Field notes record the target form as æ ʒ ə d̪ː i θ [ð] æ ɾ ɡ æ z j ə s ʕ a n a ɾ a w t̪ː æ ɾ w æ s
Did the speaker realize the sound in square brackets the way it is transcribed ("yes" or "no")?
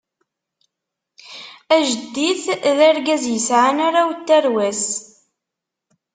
yes